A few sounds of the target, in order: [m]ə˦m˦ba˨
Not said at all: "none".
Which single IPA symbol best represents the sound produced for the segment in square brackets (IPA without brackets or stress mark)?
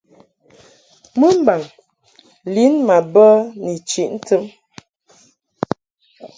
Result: m